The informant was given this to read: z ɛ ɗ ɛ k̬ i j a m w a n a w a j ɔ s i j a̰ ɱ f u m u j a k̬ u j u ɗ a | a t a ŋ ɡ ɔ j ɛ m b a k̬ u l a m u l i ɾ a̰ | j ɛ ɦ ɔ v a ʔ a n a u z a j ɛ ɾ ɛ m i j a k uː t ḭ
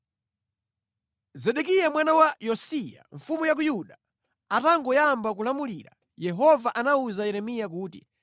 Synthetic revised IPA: z ɛ ɗ ɛ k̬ i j a m w a n a w a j ɔ s i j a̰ ɱ f u m u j a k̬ u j u ɗ a | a t a ŋ ɡ ɔ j a m b a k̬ u l a m u l i ɾ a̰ | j ɛ ɦ ɔ v a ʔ a n a u z a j ɛ ɾ ɛ m i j a k uː t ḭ